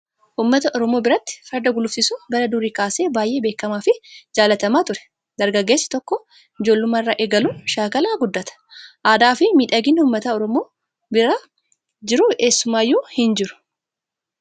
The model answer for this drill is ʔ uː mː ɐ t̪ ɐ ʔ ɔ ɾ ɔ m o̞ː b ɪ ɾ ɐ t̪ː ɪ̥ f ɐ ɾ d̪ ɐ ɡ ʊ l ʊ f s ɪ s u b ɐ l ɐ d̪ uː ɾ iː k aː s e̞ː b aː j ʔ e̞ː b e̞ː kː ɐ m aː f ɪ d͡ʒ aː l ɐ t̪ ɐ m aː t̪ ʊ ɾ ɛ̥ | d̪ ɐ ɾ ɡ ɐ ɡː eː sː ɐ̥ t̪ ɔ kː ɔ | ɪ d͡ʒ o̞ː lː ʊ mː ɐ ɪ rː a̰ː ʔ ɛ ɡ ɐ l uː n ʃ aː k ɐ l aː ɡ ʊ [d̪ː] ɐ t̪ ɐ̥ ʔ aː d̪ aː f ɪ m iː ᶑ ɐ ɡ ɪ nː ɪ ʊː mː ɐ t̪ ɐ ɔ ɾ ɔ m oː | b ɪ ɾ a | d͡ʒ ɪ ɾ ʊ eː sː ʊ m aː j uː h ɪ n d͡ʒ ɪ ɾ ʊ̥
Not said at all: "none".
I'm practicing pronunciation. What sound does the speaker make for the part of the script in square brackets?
d̪ː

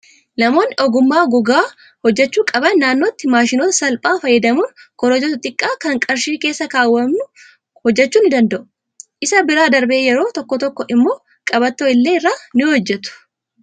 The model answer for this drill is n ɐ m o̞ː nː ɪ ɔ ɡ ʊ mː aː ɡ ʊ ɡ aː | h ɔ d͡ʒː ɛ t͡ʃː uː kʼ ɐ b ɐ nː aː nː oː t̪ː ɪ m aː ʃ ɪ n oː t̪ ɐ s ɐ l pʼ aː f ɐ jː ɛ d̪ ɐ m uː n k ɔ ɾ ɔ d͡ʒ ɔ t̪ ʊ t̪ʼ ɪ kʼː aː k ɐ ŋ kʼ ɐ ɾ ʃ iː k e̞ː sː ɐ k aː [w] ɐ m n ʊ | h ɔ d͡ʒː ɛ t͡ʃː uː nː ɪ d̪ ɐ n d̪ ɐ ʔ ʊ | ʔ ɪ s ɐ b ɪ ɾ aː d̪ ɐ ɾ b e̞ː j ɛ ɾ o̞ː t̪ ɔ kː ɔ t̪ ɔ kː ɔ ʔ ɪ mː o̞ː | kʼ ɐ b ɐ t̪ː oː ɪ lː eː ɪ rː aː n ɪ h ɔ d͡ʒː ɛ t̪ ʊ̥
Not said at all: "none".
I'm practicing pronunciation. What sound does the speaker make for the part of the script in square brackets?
wː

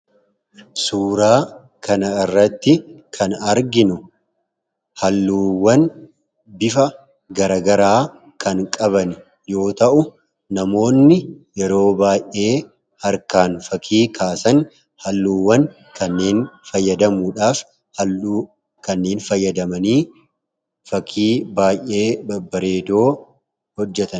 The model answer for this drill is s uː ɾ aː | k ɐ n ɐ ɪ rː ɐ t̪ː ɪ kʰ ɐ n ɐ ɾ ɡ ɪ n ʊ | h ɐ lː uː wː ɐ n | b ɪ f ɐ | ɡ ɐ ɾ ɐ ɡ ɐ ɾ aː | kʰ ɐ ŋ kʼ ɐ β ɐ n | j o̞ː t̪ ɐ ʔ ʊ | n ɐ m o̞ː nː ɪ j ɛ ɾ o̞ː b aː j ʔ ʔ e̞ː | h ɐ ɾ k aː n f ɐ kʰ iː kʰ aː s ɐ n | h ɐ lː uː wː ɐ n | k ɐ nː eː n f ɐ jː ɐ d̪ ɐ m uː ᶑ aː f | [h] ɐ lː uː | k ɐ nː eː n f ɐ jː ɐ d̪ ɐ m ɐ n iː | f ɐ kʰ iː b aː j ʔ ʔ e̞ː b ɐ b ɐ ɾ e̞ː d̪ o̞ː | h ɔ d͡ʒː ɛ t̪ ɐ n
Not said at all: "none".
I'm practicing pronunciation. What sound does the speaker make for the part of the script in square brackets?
h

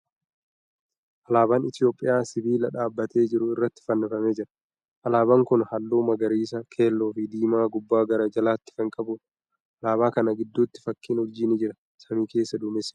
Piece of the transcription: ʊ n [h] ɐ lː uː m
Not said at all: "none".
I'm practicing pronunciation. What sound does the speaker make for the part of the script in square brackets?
h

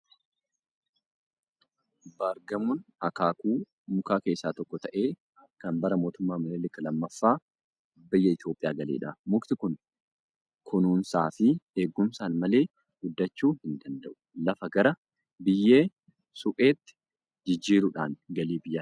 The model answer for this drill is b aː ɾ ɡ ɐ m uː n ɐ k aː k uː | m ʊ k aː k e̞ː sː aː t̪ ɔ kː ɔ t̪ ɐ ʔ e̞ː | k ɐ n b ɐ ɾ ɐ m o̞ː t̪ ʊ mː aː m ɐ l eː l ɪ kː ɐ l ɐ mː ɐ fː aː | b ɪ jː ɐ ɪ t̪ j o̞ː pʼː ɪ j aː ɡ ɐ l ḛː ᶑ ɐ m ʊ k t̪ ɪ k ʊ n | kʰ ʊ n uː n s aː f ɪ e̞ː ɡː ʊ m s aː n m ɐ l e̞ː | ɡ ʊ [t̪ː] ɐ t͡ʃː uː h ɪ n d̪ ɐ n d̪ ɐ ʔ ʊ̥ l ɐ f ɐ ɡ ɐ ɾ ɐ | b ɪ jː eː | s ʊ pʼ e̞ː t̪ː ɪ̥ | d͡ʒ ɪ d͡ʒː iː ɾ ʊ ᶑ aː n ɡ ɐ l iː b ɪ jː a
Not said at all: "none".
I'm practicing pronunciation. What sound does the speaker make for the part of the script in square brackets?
d̪ː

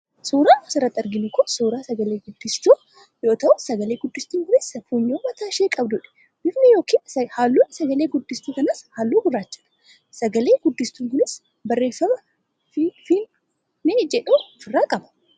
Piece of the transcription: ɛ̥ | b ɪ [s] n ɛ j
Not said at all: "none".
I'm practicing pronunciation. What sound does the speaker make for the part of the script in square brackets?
f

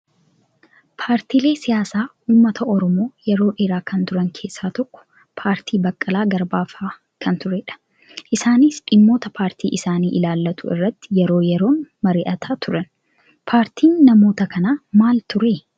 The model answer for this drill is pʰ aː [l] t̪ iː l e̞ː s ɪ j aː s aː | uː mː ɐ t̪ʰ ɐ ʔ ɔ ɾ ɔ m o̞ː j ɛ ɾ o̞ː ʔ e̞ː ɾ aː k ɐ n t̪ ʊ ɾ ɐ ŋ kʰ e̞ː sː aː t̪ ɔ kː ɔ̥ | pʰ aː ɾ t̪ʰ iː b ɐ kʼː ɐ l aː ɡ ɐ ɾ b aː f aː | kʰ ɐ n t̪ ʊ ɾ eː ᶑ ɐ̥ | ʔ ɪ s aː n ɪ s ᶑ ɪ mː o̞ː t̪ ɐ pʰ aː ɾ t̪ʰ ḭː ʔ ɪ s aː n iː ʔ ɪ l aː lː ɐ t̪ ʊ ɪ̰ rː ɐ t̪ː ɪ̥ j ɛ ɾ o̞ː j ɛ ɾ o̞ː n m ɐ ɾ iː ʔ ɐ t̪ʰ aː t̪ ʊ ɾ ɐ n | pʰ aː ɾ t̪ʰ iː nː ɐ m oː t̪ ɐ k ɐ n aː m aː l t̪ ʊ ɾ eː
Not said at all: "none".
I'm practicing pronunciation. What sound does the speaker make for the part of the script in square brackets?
ɾ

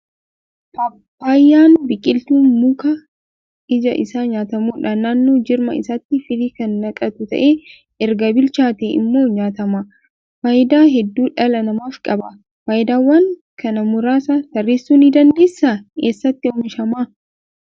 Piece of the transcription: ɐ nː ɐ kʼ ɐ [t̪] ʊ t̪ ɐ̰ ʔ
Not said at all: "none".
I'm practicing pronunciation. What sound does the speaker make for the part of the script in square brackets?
t̪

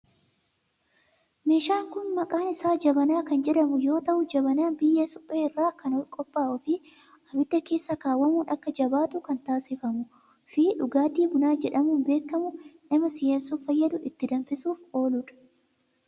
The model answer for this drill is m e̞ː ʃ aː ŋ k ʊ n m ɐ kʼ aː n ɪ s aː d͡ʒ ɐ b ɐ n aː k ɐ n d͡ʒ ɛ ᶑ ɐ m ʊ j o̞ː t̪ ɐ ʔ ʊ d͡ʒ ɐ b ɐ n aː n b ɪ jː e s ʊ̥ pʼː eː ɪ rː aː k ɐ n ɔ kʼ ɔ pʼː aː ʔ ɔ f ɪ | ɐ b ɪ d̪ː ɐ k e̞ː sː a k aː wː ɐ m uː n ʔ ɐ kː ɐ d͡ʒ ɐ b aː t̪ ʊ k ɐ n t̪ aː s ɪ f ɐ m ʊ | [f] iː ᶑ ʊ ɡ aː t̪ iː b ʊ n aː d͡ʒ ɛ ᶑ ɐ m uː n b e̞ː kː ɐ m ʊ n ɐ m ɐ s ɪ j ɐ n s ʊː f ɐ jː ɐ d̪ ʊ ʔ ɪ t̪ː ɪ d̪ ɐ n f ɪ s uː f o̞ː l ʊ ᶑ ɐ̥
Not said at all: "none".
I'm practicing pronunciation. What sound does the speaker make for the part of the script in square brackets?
f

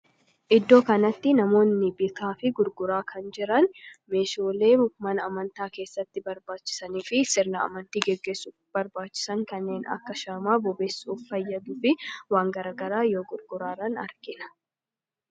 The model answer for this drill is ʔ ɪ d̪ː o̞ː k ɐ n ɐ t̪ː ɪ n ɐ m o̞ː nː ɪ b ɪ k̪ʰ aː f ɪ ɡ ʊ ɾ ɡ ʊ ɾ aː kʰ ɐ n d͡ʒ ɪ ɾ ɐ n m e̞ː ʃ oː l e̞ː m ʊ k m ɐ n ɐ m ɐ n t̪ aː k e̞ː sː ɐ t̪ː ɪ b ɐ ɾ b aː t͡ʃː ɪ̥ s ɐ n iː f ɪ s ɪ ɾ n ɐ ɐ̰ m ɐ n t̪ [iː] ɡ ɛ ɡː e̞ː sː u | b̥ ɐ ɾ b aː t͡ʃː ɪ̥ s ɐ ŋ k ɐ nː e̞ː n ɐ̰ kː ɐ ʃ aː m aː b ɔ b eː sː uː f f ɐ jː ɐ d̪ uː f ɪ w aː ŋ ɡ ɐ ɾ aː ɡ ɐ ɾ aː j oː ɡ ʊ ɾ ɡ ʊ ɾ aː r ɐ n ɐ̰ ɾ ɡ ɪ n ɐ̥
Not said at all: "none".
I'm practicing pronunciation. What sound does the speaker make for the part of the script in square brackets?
iː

